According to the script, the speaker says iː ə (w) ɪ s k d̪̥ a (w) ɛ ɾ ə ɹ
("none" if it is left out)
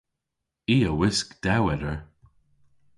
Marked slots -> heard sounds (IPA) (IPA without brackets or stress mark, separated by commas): w, w